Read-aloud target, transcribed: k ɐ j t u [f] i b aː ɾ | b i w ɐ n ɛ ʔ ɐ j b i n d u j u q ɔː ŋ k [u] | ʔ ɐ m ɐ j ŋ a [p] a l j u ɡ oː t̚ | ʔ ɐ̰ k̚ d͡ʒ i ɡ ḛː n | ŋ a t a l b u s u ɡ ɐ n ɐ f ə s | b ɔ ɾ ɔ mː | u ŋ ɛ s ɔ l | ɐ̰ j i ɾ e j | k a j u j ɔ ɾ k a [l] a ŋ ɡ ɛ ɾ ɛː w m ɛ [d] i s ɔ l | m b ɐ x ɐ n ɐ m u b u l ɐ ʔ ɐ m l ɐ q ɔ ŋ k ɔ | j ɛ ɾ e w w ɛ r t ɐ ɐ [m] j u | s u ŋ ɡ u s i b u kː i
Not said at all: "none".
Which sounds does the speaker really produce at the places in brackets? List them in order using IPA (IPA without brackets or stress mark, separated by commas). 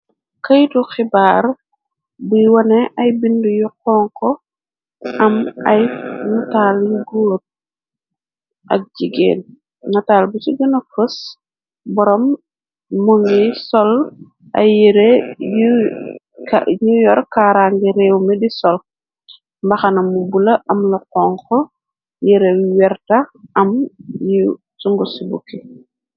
x, ɔ, t, ɾ, d, m